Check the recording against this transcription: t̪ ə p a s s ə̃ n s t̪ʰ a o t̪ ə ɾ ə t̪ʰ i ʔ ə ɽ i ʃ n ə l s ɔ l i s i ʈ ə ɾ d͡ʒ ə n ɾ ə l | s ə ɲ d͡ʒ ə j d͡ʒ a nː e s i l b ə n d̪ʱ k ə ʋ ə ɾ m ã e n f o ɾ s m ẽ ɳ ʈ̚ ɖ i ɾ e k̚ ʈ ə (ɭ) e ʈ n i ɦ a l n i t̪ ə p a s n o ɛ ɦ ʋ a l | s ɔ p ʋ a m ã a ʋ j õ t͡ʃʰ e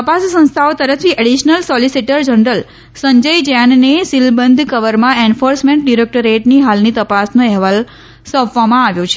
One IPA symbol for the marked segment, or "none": ɾ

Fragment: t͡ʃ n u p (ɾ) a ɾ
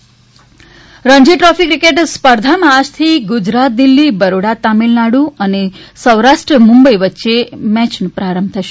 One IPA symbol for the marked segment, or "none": ɾ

